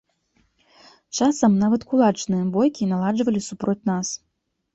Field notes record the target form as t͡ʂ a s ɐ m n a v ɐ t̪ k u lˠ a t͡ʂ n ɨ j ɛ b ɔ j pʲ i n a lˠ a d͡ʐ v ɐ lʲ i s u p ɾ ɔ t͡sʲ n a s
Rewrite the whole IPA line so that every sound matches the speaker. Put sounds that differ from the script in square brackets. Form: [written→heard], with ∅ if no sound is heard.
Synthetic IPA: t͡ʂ a s ɐ m n a v ɐ t̪ k u lˠ a t͡ʂ n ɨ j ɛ b ɔ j [pʲ→kʲ] i n a lˠ a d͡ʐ v ɐ lʲ i s u p ɾ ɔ t͡sʲ n a s